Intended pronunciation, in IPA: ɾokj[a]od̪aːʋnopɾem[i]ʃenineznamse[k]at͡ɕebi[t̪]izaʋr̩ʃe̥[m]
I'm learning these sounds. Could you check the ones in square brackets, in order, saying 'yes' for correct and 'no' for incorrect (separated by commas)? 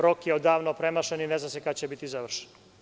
no, no, yes, yes, no